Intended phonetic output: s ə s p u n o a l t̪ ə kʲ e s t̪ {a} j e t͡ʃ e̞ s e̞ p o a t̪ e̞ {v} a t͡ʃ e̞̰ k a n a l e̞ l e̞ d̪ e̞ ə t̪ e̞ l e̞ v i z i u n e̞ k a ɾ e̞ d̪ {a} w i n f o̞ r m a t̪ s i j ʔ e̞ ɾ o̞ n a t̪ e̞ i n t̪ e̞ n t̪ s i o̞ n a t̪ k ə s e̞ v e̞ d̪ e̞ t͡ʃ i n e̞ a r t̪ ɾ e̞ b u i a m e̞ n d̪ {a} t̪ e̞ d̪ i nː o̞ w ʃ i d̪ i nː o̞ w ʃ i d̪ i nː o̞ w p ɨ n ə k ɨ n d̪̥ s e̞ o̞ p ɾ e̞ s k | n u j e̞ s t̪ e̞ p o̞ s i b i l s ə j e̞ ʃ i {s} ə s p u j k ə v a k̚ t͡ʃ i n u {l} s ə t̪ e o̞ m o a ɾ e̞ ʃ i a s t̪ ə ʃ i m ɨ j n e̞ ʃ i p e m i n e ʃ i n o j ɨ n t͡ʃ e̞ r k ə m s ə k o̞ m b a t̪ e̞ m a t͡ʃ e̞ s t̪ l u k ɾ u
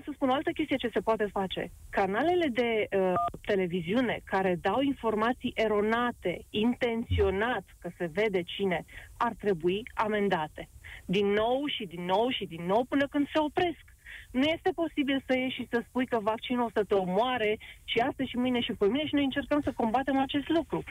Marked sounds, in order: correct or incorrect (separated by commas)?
incorrect, incorrect, correct, correct, correct, correct